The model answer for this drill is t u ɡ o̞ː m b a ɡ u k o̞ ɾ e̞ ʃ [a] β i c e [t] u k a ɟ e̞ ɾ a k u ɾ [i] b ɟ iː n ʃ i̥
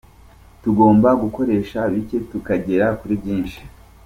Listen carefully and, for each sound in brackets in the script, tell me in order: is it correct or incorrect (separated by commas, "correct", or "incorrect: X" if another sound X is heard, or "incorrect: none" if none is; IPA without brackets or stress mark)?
correct, correct, correct